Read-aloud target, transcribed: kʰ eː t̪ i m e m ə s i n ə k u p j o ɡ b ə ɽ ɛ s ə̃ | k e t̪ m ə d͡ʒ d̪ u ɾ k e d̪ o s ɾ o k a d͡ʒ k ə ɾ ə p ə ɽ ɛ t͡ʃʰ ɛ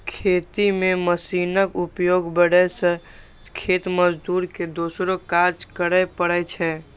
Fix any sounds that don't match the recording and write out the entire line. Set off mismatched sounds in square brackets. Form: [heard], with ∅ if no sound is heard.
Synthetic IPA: kʰ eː t̪ i m e m ə s i n ə k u p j o ɡ b ə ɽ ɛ s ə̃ | [kʰ] e t̪ m ə d͡ʒ d̪ u ɾ k e d̪ o s ɾ o k a d͡ʒ k ə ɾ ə p ə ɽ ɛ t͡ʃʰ ɛ